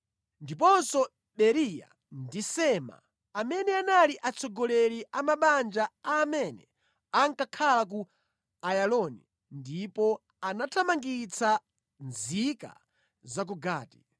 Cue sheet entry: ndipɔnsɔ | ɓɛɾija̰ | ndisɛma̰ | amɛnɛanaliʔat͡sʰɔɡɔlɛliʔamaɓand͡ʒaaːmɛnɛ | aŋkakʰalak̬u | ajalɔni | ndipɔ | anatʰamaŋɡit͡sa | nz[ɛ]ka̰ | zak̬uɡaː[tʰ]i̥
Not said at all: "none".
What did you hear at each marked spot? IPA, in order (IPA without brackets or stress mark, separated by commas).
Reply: i, t